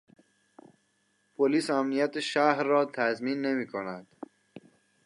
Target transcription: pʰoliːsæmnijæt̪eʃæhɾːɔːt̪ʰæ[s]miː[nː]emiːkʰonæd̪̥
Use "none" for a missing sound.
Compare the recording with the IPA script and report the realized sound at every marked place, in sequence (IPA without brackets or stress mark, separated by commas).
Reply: z, nː